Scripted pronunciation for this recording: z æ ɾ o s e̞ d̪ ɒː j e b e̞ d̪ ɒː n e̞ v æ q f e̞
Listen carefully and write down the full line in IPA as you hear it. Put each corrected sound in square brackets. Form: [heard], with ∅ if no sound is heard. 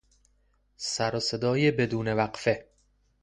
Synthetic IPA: [s] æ ɾ o s e̞ d̪ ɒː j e b e̞ d̪ [uː] n e̞ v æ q f e̞